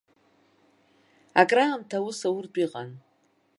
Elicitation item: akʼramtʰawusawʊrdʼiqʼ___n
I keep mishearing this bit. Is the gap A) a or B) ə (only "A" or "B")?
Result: A